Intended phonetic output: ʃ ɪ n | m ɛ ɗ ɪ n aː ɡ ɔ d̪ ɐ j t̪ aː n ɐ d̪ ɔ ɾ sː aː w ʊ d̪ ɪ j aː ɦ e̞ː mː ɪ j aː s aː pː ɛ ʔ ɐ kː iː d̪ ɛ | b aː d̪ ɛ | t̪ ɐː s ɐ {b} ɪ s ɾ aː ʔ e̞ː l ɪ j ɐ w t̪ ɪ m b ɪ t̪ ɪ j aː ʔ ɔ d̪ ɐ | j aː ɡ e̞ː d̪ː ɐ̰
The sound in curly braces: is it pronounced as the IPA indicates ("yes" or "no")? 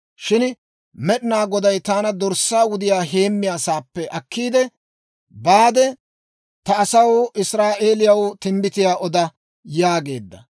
no